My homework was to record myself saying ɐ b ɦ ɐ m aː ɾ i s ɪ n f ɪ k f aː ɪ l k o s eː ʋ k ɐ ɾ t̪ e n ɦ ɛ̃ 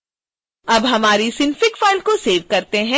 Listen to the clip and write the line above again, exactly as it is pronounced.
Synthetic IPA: ɐ b ɦ ɐ m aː ɾ i s ɪ n f ɪ k f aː ɪ l k o s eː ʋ k ɐ ɾ t̪ e ɦ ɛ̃